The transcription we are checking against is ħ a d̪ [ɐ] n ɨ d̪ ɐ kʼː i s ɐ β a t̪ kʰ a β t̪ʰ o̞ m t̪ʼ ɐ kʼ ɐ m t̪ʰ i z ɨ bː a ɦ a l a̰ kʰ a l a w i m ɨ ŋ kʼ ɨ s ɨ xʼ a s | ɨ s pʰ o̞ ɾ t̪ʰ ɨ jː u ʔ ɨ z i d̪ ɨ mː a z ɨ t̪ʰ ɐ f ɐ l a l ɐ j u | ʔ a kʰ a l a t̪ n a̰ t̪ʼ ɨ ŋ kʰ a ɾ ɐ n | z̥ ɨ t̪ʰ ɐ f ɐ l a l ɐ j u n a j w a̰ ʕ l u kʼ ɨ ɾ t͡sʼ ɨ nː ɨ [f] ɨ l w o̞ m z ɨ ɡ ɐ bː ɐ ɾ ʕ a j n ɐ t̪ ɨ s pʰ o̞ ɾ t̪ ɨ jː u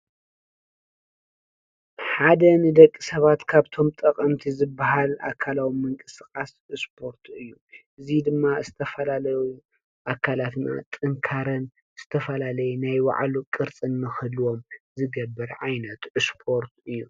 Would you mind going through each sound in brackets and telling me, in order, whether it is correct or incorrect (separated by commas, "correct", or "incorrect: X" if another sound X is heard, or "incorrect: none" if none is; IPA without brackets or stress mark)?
correct, incorrect: x